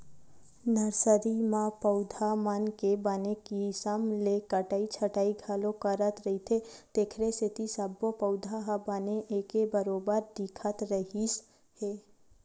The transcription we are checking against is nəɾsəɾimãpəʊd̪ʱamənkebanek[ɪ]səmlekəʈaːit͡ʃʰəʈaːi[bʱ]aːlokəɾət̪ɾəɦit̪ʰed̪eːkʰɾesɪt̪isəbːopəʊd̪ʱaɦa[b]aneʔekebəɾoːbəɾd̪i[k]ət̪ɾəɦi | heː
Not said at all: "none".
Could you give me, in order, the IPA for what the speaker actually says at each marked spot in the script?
i, ɡʱ, b, kʰ

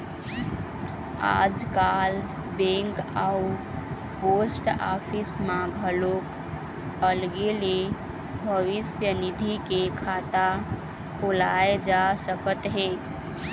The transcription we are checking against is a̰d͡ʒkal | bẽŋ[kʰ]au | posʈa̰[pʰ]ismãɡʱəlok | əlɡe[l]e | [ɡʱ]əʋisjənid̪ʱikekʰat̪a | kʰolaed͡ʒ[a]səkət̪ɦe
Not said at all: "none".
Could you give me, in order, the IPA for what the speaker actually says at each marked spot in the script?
k, pʰ, l, bʱ, a

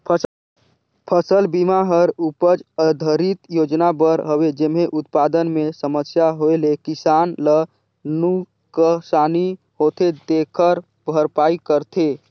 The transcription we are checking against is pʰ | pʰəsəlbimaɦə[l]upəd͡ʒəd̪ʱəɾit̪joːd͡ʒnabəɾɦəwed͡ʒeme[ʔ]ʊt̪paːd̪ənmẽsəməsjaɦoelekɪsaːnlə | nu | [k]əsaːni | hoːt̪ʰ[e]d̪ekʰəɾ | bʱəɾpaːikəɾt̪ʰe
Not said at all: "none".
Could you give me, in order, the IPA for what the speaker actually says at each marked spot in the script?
ɾ, ʔ, k, e

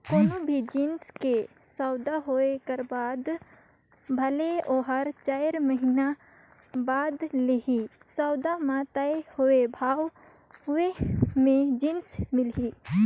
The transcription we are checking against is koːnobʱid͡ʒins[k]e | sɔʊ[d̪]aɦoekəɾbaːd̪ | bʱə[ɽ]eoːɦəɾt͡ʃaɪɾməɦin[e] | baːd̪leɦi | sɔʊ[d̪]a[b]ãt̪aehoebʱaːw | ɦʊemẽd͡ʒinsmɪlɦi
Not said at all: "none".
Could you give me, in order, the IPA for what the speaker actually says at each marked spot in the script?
k, d̪, l, a, d̪, m

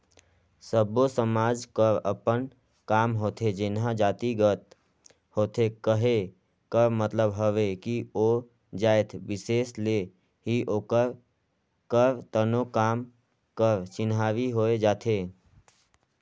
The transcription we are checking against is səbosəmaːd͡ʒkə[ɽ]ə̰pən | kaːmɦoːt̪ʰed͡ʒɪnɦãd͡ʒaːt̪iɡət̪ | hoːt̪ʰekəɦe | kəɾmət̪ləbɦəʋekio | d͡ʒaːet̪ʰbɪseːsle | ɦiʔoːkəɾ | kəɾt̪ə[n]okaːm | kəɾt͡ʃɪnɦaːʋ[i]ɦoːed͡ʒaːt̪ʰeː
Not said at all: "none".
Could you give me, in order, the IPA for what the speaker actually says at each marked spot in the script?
ɾ, n, i

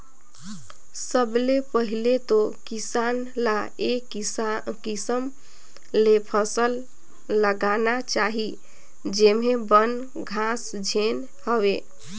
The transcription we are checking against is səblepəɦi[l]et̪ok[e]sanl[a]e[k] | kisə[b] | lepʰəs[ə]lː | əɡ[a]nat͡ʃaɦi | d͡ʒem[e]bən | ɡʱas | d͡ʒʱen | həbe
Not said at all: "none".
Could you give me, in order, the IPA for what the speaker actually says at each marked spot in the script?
l, i, a, k, m, ə, a, e

